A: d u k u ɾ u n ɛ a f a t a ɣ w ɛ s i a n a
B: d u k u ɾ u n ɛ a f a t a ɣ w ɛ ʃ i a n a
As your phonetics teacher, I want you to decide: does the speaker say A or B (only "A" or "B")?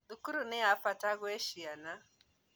B